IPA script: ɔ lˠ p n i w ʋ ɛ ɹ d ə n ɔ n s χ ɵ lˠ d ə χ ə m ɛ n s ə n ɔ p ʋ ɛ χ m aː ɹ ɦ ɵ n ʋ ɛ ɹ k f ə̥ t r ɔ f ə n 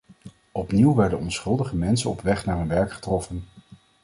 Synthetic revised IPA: ɔ p n i w ʋ ɛ ɹ d ə n ɔ n s χ ɵ lˠ d ə χ ə m ɛ n s ə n ɔ p ʋ ɛ χ n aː ɹ ɦ ɵ n ʋ ɛ ɹ k χ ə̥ t r ɔ f ə n